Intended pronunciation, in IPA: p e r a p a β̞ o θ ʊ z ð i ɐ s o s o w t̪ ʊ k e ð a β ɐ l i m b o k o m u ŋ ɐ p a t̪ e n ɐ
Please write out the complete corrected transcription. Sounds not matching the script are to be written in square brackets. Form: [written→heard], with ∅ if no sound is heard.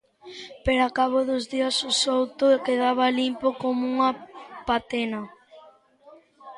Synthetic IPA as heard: p e [r→ɾ] a [p→k] a β̞ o [θ→ð] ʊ z ð i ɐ s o s o w t̪ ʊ k e ð a β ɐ l i m [b→p] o k o m u ŋ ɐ p a t̪ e n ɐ